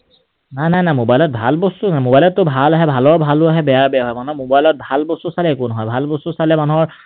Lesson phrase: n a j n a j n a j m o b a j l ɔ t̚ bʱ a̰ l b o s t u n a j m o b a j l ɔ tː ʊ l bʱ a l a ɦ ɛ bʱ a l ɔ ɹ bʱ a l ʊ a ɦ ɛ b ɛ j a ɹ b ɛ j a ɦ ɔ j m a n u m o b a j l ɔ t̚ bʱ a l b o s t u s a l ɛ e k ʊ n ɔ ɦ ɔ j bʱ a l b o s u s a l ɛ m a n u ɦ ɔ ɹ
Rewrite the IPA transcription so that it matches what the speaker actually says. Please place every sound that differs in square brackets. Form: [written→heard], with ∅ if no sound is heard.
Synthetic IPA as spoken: n a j n a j n a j m o b a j l ɔ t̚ bʱ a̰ l b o s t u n a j m o b a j l ɔ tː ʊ [l→∅] bʱ a l a ɦ ɛ bʱ a l ɔ ɹ bʱ a l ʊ a ɦ ɛ b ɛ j a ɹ b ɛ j a ɦ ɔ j m a n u m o b a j l ɔ t̚ bʱ a l b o s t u s a l ɛ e k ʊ n ɔ ɦ ɔ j bʱ a l b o s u s a l ɛ m a n u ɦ ɔ ɹ

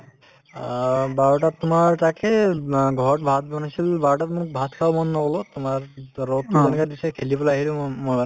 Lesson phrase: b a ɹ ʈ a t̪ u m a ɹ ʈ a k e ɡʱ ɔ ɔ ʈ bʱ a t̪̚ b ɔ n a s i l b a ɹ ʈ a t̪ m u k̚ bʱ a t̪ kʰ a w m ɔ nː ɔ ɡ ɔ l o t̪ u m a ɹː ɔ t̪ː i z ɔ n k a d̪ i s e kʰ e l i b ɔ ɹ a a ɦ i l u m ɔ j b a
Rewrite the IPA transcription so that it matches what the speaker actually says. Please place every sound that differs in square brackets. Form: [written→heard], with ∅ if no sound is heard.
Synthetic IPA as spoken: b a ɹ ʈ a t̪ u m a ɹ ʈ a k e ɡʱ ɔ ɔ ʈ bʱ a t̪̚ b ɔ n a s i l b a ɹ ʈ a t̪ m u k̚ bʱ a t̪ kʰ a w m ɔ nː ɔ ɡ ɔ l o t̪ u m a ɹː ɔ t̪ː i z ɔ n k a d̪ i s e kʰ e l i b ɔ [ɹ→l] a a ɦ i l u m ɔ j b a

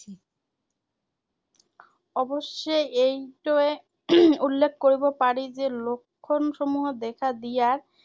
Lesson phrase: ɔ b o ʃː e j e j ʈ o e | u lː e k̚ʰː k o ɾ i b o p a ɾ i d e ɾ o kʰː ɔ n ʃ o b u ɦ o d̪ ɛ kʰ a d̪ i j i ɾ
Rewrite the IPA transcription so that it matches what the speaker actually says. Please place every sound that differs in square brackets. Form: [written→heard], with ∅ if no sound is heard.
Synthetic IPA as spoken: ɔ b o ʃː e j e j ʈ o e | u lː e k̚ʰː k o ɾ i b o p a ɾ i [d→d͡ʑ] e [ɾ→l] o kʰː [ɔ→o] n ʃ o [b→m] u ɦ o d̪ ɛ kʰ a d̪ i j [i→a] ɾ

